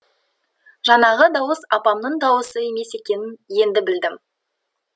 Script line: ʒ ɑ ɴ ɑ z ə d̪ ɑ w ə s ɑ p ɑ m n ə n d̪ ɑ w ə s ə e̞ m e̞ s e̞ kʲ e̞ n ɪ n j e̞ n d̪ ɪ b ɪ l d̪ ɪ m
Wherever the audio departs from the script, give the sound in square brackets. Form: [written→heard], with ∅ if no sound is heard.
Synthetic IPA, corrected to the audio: ʒ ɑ [ɴ→n] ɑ [z→ʁ] ə d̪ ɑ w ə s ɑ p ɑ m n ə [n→ɴ] d̪ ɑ w ə s ə e̞ m e̞ s e̞ kʲ e̞ n ɪ n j e̞ n d̪ ɪ b ɪ l d̪ ɪ m